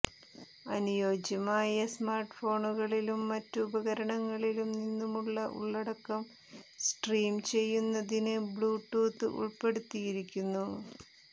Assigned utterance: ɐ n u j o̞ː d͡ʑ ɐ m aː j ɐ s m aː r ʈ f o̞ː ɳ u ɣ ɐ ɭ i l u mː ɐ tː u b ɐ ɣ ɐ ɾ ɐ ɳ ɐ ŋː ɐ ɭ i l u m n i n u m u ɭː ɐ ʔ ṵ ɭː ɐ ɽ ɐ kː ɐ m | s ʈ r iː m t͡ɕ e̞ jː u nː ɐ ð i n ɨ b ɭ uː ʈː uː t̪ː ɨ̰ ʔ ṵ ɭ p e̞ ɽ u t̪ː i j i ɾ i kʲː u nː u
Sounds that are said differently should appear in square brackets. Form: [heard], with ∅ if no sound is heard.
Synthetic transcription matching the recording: ɐ n u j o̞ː d͡ʑ ɐ m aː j ɐ s m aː r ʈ f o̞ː ɳ u ɣ ɐ ɭ i l u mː ɐ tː u b ɐ ɣ ɐ ɾ ɐ ɳ ɐ ŋː ɐ ɭ i l u m n i [nː] u m u ɭː ɐ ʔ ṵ ɭː ɐ ɽ ɐ kː ɐ m | s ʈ r iː m t͡ɕ e̞ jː u nː ɐ ð i n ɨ b ɭ uː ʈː uː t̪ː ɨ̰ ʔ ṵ ɭ p e̞ ɽ u t̪ː i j i ɾ i kʲː u nː u